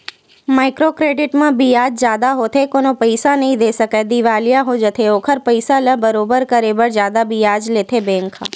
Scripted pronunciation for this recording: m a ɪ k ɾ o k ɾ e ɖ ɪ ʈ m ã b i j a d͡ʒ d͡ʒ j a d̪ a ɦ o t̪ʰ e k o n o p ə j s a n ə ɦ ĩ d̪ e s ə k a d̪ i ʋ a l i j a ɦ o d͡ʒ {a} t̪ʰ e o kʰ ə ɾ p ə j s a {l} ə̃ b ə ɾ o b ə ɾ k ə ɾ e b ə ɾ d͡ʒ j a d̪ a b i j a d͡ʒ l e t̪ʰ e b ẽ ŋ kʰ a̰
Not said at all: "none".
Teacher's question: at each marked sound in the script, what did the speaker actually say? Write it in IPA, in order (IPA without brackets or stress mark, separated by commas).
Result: ə, l